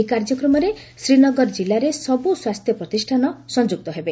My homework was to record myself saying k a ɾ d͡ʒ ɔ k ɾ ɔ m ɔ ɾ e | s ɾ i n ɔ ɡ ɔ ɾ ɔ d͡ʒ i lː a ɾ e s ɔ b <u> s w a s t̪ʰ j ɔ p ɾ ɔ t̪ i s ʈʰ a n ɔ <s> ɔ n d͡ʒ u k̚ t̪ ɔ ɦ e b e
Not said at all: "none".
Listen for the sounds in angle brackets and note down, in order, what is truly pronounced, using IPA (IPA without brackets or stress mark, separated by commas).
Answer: u, s